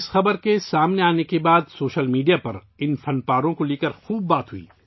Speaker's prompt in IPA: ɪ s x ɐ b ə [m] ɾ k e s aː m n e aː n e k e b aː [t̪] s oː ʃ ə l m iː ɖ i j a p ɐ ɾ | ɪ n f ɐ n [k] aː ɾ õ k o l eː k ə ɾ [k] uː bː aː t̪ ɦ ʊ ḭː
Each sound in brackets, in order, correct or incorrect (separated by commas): incorrect, incorrect, incorrect, incorrect